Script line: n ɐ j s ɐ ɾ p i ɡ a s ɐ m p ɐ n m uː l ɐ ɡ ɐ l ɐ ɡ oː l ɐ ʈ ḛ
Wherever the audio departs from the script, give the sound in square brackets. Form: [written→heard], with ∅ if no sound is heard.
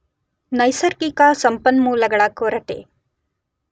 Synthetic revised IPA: n ɐ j s ɐ ɾ [p→k] i [ɡ→k] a s ɐ m p ɐ n m uː l ɐ ɡ ɐ [l→ɭ] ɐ [ɡ→k] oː [l→ɾ] ɐ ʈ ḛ